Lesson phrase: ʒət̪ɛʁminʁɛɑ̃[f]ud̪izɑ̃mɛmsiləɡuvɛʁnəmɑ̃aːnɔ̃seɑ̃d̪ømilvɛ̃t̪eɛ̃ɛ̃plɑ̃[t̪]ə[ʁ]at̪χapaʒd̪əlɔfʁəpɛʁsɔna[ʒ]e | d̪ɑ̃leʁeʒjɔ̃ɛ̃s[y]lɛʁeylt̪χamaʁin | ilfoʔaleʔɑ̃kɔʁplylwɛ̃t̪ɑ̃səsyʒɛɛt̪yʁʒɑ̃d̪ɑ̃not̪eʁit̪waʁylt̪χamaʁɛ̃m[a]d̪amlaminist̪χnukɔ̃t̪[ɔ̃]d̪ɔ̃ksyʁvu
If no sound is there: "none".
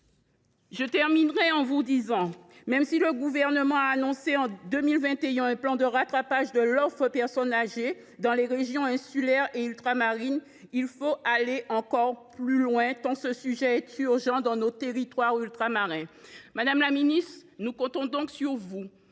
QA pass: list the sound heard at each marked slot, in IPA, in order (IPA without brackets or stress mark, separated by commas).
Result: v, d̪, ʁ, ʒ, y, a, ɔ̃